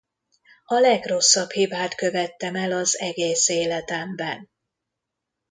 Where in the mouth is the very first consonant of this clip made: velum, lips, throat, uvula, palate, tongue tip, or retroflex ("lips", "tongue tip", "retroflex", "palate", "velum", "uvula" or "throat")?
tongue tip